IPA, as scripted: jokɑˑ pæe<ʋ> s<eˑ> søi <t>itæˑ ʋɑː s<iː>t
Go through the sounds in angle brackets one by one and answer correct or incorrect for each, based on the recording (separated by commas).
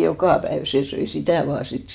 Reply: correct, correct, incorrect, incorrect